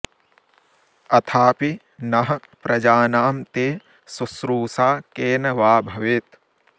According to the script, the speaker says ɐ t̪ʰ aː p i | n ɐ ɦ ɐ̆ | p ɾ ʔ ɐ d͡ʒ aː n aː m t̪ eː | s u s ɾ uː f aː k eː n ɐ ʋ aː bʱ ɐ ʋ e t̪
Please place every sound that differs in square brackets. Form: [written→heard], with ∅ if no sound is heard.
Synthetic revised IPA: ɐ t̪ʰ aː p i | n ɐ ɦ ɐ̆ | p ɾ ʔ ɐ d͡ʒ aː n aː m t̪ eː | s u s ɾ uː [f→s] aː k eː n ɐ ʋ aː bʱ ɐ ʋ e t̪